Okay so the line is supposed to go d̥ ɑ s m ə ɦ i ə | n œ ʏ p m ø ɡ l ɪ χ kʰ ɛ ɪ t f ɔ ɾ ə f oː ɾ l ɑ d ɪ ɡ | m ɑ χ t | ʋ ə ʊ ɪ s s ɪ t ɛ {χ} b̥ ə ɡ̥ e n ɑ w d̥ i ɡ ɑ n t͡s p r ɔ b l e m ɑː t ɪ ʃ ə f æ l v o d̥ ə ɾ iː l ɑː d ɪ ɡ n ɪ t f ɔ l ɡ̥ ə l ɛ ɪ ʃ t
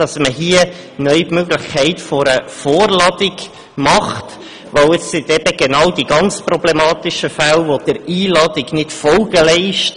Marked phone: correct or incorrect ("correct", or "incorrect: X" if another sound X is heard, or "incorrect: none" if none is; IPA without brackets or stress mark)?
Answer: incorrect: none